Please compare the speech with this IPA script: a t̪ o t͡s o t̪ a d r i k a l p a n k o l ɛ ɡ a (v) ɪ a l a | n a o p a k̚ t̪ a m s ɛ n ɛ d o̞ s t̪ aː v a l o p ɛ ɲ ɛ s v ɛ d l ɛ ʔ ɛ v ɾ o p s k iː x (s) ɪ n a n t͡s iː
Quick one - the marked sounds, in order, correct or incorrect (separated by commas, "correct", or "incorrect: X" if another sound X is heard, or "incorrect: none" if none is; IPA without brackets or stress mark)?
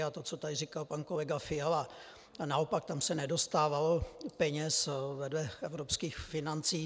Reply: incorrect: f, incorrect: f